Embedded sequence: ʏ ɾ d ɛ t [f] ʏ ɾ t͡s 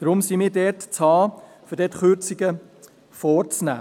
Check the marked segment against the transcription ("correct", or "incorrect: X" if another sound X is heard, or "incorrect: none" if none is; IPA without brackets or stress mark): incorrect: χ